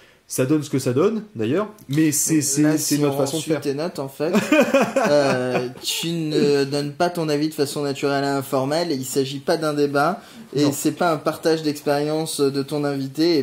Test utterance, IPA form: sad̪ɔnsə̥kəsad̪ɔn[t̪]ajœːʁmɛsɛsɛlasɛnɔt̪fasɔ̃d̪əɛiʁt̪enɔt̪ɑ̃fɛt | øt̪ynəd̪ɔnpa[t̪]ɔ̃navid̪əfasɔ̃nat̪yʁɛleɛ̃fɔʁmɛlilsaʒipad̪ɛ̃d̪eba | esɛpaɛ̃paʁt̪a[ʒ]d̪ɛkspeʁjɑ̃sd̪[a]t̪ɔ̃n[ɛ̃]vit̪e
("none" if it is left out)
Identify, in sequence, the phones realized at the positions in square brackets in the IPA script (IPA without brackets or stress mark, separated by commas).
d̪, t̪, ʒ, ə, ɛ̃